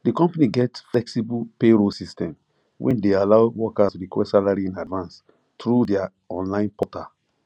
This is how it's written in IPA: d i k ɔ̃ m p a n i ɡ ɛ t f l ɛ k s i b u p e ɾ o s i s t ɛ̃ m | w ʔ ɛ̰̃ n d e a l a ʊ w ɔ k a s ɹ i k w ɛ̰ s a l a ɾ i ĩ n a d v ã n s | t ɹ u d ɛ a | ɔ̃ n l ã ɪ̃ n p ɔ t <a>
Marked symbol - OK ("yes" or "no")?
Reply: yes